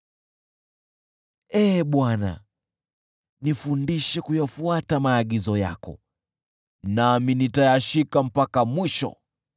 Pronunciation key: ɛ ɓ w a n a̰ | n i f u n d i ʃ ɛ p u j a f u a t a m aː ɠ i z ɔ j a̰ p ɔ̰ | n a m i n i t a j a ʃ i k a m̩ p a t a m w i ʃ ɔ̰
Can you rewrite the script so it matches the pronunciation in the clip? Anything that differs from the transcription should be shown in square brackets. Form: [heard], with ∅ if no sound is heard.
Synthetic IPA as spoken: ɛ ɓ w a n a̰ | n i f u n d i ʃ ɛ [k] u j a f u a t a m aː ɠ i z ɔ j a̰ [k] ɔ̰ | n a m i n i t a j a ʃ i k a m̩ p a [k] a m w i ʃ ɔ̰